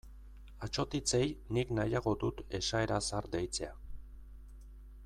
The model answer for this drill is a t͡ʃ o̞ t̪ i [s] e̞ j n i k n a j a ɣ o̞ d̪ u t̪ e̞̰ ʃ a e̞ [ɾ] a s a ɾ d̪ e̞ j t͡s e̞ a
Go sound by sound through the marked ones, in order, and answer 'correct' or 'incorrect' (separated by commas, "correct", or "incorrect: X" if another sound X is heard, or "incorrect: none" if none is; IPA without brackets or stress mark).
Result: incorrect: t͡s, correct